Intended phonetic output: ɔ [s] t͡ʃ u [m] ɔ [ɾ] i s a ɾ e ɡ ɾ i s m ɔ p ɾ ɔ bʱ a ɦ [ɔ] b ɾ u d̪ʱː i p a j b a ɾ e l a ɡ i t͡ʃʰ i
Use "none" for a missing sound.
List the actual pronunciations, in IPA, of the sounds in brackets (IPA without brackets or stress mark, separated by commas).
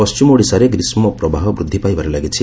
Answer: s, m, ɽ, ɔ